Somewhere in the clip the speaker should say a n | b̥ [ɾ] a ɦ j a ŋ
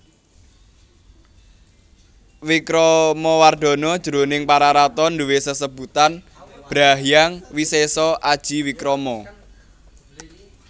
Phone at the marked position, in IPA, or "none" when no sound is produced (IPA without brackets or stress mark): ɾ